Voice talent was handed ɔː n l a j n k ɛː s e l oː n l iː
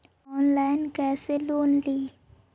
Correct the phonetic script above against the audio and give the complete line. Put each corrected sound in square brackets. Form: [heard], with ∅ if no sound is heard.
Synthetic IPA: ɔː n l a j n k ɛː s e l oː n l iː